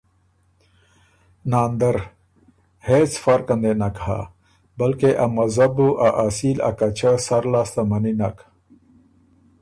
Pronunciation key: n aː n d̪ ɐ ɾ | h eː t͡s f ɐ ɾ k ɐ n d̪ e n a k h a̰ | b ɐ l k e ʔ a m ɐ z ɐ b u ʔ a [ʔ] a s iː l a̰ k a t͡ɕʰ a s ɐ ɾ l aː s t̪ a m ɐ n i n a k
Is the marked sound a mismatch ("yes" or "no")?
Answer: no